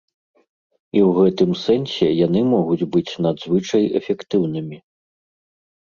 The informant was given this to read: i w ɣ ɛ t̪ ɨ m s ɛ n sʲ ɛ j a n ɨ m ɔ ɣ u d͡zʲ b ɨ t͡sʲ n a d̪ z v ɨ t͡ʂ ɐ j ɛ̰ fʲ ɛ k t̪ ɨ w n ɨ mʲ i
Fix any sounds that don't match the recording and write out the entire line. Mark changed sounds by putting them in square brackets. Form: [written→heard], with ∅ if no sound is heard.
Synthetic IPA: i w ɣ ɛ t̪ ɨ m s ɛ n sʲ ɛ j a n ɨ m ɔ ɣ u d͡zʲ b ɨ t͡sʲ n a d̪ z v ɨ t͡ʂ ɐ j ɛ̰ fʲ ɛ k t̪ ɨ w n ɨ mʲ i